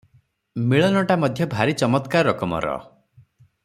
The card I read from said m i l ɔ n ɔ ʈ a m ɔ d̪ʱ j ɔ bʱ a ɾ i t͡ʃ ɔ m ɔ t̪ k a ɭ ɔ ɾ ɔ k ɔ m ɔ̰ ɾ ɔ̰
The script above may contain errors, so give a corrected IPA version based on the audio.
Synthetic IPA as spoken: m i ɭ ɔ n ɔ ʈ a m ɔ d̪ʱ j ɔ bʱ a ɾ i t͡ʃ ɔ m ɔ t̪ k a ɾ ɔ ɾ ɔ k ɔ m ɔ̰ ɾ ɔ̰